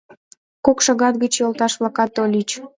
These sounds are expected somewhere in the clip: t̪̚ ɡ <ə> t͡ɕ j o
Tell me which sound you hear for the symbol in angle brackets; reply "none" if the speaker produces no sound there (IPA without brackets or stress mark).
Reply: ə